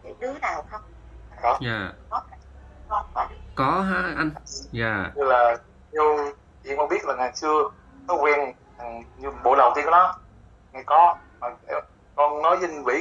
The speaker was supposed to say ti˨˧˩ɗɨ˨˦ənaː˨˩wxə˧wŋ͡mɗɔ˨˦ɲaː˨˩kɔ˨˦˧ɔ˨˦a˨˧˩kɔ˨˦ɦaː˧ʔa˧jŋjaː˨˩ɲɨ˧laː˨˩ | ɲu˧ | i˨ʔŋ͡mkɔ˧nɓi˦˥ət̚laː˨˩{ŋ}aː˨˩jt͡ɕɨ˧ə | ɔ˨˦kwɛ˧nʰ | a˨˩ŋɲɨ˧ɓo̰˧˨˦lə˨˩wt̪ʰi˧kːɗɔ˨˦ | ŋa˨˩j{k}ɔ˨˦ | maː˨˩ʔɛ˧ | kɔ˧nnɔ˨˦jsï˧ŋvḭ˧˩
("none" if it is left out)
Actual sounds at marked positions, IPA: ŋ, k

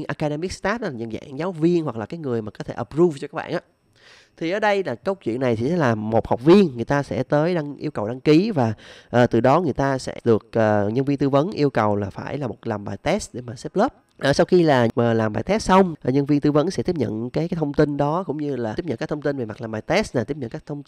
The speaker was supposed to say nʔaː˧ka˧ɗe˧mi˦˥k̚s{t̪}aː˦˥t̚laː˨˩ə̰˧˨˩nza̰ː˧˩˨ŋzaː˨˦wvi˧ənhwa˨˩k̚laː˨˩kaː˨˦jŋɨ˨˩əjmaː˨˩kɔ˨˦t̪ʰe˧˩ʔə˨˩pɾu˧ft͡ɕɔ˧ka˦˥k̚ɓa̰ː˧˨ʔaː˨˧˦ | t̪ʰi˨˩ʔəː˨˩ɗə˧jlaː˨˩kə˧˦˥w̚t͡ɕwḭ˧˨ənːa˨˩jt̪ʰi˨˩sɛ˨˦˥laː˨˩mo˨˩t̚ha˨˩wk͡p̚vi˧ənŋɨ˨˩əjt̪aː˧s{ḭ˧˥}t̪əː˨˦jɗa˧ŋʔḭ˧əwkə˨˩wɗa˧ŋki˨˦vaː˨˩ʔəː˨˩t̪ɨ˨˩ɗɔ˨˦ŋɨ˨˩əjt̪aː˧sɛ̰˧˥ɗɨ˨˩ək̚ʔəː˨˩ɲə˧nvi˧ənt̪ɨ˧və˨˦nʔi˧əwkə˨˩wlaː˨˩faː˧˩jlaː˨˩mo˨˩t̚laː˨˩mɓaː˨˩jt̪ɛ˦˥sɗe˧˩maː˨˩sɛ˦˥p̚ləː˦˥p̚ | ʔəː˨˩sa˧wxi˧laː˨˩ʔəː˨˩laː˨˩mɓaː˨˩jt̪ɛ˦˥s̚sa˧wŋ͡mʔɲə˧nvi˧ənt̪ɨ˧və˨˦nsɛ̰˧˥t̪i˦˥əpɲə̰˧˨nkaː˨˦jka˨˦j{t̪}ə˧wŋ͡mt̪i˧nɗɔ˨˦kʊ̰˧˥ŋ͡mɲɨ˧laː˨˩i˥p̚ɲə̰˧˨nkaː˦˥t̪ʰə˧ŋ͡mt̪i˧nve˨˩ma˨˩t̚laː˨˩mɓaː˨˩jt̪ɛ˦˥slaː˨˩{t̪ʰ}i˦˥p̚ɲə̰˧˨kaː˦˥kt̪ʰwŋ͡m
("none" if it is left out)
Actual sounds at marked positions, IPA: t̪, ɛ̰˧˥, t̪ʰ, t̪

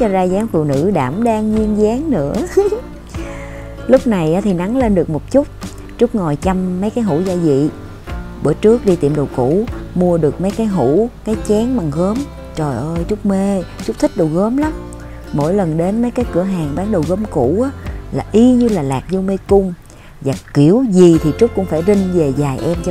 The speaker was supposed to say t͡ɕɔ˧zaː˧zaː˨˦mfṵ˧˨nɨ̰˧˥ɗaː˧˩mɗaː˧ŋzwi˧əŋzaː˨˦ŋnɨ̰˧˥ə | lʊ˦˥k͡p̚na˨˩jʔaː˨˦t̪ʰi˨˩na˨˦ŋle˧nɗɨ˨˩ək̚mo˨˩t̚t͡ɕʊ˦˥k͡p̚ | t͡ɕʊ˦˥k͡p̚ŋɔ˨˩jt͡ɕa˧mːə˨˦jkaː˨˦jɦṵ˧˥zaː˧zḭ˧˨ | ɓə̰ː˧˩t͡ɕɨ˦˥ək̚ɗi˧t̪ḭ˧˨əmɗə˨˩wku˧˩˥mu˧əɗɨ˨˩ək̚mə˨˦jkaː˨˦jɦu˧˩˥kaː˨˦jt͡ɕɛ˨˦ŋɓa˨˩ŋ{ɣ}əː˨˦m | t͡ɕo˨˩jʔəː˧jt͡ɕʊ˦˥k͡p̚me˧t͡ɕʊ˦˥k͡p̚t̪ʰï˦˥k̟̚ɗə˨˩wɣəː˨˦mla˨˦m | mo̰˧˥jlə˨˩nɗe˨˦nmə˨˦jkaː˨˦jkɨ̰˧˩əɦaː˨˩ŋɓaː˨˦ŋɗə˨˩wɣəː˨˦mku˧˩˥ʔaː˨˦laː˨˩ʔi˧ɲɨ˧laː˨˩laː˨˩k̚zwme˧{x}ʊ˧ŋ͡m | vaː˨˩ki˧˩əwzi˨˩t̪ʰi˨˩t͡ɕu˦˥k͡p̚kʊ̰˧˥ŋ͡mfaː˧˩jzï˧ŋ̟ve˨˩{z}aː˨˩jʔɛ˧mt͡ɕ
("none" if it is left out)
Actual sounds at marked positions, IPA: ɣ, k, z

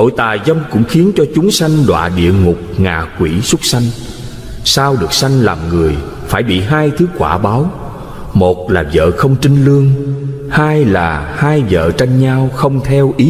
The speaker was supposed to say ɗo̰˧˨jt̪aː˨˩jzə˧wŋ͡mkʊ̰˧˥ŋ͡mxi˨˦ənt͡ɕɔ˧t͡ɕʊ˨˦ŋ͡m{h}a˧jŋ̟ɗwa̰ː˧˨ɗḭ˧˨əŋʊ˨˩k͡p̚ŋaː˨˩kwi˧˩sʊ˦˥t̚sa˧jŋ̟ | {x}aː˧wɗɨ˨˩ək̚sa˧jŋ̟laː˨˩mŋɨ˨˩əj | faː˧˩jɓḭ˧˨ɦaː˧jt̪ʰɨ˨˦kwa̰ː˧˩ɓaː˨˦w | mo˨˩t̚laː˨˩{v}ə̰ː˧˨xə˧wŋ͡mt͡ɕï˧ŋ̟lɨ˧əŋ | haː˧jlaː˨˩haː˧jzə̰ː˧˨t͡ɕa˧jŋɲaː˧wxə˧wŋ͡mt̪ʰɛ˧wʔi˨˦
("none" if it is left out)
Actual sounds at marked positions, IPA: s, s, z

